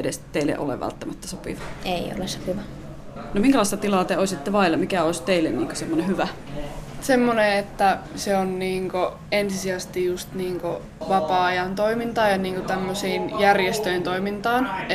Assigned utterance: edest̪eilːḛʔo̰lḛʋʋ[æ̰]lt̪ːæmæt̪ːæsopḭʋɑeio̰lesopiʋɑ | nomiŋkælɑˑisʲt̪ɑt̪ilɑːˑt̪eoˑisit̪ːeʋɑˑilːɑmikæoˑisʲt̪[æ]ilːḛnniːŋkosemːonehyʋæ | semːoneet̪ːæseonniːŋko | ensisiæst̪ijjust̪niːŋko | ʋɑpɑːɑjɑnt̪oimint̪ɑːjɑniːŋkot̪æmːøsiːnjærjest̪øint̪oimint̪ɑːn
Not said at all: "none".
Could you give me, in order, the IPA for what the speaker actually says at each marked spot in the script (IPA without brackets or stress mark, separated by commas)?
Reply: æ̰, e